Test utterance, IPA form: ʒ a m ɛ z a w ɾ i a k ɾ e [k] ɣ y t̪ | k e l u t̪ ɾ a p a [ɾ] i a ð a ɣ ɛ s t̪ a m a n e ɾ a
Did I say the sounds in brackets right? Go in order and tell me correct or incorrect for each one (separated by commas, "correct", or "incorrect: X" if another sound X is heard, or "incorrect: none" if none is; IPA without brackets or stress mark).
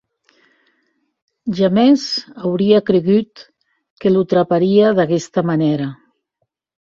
incorrect: none, correct